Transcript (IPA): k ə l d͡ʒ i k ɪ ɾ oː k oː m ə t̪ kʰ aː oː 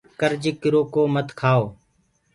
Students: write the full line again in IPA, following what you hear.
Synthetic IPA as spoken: k ə ɾ d͡ʒ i k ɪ ɾ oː k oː m ə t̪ kʰ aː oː